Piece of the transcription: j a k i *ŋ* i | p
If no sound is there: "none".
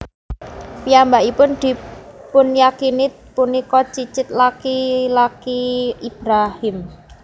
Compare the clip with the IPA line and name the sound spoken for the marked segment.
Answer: n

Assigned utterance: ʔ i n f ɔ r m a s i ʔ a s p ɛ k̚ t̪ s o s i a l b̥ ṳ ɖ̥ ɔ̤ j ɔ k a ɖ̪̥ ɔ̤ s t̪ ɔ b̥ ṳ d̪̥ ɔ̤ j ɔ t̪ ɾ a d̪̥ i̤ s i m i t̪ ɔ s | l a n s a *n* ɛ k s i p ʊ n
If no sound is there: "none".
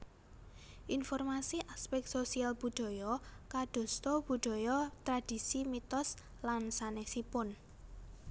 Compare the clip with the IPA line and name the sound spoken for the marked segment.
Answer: n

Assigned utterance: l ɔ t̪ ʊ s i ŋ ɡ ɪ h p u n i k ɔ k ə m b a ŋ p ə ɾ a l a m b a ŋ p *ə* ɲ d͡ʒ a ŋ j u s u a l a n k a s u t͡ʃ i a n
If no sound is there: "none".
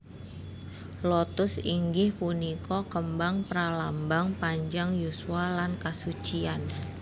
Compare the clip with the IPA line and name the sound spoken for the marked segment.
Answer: a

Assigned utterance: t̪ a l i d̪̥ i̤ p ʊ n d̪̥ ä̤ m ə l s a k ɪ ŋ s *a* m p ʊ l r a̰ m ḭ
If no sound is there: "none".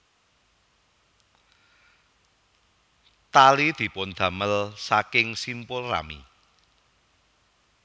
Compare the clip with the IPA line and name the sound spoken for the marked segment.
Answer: i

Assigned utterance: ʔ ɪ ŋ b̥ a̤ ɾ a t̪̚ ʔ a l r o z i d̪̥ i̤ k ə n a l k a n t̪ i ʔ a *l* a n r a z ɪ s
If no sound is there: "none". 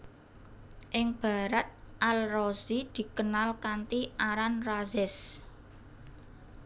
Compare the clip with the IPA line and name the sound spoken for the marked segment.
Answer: ɾ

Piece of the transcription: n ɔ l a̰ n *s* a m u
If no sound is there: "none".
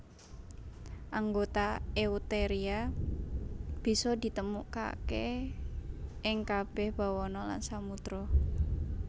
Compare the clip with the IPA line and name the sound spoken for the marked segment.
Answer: s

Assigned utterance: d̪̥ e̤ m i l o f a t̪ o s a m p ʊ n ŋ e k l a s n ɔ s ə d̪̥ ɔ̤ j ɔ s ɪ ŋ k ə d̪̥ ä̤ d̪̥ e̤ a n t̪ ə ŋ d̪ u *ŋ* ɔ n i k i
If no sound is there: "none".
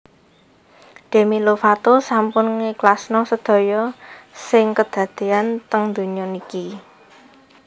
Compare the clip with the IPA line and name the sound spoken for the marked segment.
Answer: ɲ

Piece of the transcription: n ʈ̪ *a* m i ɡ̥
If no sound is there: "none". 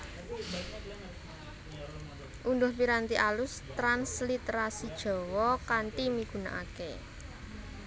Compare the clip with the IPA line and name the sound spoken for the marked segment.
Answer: i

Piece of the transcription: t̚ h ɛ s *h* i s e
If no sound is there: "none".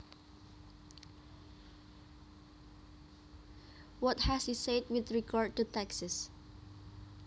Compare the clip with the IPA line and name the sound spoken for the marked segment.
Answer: h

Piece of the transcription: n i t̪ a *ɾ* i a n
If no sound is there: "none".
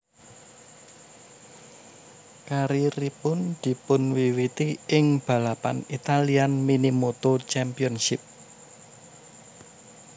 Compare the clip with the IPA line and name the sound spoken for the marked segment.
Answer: l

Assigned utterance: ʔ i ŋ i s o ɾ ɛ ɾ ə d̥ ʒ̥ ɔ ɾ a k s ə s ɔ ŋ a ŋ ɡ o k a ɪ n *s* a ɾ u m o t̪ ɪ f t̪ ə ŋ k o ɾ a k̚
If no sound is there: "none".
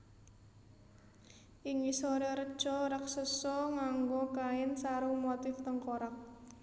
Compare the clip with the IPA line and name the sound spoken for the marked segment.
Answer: s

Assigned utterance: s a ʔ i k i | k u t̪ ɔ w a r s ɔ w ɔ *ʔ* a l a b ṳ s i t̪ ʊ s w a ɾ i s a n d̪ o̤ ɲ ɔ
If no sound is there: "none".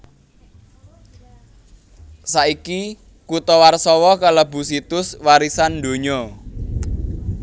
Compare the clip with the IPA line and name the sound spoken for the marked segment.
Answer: k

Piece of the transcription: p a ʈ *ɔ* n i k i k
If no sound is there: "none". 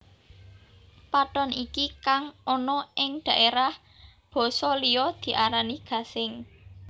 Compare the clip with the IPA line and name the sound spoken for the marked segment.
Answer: ɔ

